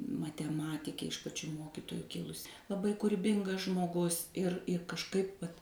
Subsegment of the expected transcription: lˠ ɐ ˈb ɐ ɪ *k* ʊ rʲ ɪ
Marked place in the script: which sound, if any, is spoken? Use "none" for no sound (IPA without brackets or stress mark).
k